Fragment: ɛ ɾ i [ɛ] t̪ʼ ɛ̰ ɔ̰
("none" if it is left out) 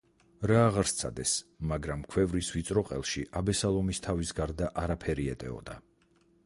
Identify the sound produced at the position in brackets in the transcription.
ɛ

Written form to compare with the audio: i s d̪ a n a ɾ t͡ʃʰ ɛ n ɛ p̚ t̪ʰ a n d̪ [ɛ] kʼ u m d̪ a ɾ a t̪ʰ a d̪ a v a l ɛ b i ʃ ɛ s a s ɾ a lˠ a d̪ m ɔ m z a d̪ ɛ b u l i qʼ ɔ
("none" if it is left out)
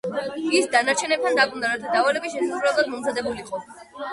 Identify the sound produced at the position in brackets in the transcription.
a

